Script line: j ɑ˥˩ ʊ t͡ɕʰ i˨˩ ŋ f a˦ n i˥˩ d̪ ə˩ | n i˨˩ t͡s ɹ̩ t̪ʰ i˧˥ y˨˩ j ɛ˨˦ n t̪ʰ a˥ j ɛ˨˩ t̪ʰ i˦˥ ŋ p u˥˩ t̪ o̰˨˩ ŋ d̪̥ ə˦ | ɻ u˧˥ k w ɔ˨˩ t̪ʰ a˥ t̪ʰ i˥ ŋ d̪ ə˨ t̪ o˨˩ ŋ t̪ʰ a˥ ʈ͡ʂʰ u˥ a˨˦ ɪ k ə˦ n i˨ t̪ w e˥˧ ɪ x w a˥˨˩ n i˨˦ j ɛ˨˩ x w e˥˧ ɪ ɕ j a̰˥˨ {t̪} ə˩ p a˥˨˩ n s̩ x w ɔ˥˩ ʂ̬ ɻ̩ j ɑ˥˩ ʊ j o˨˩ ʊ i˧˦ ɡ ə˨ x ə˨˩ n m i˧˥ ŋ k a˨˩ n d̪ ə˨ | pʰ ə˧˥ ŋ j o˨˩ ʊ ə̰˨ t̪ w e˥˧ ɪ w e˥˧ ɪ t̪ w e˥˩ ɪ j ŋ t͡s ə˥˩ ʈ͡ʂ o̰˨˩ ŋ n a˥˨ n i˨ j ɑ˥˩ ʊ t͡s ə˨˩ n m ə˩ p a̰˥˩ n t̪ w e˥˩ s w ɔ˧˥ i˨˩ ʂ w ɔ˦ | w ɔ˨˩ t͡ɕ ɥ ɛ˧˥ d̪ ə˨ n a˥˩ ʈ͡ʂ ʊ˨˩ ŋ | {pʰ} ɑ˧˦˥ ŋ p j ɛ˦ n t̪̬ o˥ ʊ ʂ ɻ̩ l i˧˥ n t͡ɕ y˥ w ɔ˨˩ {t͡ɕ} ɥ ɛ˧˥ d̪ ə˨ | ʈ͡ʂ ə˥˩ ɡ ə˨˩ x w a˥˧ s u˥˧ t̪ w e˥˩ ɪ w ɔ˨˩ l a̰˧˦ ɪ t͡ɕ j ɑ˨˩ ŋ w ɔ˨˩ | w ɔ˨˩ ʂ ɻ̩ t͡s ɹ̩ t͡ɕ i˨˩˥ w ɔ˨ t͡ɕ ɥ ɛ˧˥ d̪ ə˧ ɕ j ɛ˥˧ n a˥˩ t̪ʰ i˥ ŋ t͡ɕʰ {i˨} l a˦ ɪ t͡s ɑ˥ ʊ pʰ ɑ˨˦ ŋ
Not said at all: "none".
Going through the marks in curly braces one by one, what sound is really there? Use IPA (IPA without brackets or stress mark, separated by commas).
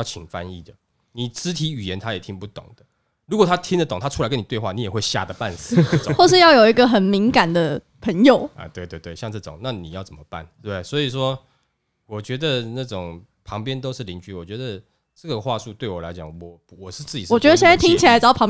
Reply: d̪, pʰ, t͡ɕ, i˨